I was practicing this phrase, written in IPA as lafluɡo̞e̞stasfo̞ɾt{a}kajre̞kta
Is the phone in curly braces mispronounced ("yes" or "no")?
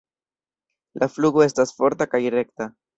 no